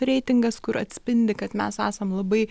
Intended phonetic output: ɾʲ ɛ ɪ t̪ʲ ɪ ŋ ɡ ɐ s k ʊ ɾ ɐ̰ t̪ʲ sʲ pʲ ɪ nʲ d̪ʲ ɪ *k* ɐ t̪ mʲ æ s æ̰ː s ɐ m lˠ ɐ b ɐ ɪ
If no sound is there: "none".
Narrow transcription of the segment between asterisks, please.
k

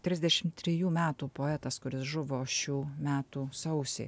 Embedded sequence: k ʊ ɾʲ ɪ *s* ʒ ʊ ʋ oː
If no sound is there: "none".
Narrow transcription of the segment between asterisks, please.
s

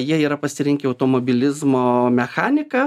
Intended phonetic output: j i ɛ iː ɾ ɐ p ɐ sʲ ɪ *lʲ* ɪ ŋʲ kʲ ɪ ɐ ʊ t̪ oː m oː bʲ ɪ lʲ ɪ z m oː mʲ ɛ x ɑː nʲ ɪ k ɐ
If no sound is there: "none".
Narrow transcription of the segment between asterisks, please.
ɾʲ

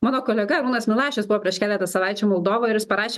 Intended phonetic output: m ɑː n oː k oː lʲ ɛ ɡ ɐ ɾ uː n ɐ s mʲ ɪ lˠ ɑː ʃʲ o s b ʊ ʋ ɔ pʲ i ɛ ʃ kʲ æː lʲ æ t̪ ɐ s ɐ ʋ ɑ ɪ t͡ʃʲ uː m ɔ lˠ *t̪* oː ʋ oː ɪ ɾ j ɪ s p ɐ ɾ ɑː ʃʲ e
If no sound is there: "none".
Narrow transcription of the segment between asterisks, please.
d̪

